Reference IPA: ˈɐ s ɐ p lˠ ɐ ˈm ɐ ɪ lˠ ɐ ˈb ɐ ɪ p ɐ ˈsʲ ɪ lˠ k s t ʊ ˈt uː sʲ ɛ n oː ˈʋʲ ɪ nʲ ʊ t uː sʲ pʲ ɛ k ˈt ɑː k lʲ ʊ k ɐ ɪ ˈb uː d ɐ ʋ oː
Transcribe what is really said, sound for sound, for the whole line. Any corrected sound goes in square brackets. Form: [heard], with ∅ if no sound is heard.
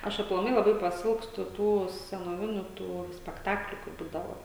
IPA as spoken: ˈɐ [ʃ] ɐ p lˠ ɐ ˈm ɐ ɪ lˠ ɐ ˈb ɐ ɪ p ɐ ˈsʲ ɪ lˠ k s t ʊ ˈt uː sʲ ɛ n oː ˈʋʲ ɪ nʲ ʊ t uː sʲ pʲ ɛ k ˈt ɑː k lʲ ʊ k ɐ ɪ ˈb uː d ɐ ʋ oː